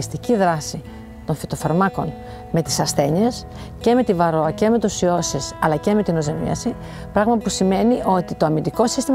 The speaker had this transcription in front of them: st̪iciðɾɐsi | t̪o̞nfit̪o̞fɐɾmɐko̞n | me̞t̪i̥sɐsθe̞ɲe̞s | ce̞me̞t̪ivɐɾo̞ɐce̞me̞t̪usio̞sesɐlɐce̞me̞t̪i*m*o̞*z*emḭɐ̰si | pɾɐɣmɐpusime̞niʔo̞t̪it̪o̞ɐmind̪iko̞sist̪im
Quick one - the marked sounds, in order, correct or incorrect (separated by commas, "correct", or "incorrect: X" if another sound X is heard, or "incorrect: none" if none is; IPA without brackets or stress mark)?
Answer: incorrect: n, correct